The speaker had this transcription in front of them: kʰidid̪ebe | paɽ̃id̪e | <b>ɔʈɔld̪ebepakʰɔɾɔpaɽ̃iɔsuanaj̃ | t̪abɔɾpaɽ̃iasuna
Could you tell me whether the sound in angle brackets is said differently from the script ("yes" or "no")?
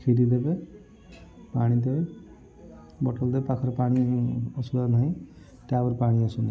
no